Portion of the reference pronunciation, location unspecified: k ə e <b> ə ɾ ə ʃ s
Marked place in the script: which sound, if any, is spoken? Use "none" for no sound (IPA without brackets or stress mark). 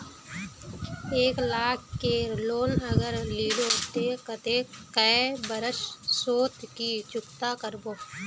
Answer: b